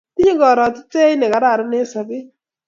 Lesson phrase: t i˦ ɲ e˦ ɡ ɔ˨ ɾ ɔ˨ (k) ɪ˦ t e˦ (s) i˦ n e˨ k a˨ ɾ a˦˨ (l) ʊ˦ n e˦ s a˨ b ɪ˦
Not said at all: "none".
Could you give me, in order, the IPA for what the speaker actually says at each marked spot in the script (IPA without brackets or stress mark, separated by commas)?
t, none, ɾ